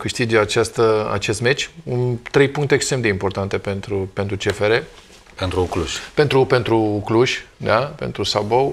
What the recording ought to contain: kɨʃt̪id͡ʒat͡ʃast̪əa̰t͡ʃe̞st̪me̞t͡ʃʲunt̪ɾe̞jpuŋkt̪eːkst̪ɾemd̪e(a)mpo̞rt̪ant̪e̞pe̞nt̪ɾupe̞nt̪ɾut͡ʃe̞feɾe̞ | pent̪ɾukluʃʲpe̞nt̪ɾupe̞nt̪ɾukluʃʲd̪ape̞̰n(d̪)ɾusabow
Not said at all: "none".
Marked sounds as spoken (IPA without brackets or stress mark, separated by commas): i, t̪